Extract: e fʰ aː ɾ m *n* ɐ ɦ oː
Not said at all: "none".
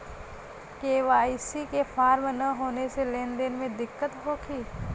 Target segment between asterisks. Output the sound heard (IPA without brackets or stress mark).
n